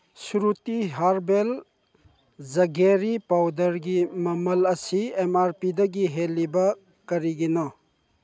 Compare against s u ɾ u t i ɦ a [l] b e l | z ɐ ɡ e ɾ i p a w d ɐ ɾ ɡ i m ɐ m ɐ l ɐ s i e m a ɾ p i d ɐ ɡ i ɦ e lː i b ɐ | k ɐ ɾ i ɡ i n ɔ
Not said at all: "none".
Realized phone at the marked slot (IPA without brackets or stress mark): ɾ